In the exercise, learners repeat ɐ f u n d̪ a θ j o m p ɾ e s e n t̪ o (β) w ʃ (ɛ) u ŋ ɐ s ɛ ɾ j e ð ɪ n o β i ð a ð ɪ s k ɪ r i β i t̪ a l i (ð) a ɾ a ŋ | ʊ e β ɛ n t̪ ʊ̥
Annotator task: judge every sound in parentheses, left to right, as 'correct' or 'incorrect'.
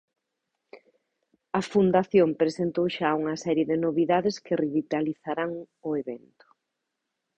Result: incorrect, incorrect, incorrect

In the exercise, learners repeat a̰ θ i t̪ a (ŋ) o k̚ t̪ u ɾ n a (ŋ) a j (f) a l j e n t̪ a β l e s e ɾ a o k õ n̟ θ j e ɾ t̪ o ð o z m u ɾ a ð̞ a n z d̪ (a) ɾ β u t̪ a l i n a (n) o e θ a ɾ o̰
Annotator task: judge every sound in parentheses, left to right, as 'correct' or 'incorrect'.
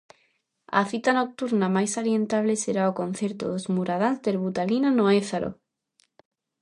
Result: incorrect, incorrect, incorrect, incorrect, correct

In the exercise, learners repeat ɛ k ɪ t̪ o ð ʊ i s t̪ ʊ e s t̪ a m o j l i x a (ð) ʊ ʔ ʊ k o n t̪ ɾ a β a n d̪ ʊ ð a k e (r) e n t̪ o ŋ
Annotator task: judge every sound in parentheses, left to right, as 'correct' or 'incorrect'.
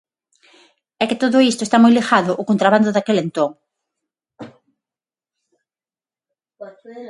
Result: correct, incorrect

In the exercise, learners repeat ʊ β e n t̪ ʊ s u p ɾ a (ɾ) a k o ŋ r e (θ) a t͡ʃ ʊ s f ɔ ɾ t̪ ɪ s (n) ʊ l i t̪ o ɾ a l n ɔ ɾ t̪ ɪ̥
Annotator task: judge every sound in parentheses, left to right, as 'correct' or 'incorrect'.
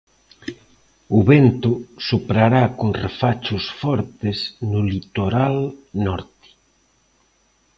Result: correct, incorrect, correct

